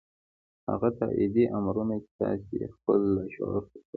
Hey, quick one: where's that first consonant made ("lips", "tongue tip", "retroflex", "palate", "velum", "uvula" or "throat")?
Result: throat